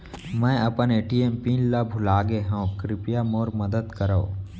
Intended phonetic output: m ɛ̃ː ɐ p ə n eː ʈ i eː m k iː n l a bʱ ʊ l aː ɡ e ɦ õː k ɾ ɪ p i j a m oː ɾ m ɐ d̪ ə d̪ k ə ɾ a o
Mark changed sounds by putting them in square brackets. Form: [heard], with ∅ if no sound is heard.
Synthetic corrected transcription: m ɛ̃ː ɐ p ə n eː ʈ i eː m [p] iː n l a bʱ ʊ l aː ɡ e ɦ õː k ɾ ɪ p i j a m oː ɾ m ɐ d̪ ə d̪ k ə ɾ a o